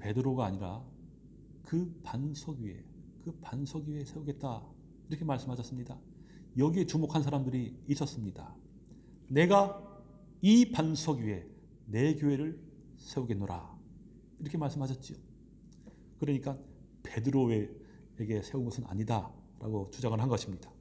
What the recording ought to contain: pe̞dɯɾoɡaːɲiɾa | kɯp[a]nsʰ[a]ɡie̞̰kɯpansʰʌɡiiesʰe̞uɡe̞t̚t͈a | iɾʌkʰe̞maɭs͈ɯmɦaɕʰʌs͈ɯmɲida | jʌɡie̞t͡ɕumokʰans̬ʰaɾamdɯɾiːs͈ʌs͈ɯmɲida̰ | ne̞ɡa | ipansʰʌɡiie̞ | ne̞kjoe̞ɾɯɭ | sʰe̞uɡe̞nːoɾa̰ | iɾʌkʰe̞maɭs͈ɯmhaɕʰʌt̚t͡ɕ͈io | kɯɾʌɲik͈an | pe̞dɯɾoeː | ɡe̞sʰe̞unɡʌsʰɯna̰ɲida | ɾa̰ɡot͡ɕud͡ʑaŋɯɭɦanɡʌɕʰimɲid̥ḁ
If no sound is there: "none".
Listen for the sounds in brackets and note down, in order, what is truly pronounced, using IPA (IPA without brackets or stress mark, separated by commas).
a, ʌ